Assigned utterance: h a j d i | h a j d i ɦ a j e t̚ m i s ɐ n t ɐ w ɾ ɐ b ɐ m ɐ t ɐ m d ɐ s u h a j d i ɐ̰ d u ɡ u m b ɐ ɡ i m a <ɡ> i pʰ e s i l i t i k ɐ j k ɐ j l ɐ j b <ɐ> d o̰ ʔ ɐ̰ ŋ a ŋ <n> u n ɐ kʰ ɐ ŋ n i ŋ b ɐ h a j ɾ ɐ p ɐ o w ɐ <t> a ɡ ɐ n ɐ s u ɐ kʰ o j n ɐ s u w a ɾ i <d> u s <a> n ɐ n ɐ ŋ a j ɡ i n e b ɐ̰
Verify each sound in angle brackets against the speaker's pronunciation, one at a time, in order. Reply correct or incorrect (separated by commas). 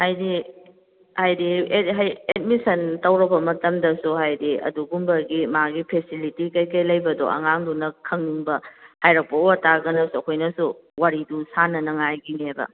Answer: correct, correct, incorrect, correct, correct, correct